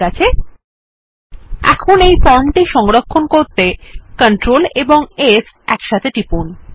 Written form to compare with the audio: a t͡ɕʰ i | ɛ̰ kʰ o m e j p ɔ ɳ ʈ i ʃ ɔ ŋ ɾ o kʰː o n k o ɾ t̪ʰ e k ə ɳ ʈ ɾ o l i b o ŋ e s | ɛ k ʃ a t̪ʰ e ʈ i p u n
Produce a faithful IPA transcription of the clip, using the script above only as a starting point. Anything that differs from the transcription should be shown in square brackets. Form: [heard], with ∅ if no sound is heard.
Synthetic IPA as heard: a t͡ɕʰ [e] | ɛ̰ kʰ o [n] e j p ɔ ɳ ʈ i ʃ ɔ ŋ ɾ o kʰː o n k o ɾ [t̪] e k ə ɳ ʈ ɾ o l [e] b o ŋ e s | ɛ k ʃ a t̪ʰ e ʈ i p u n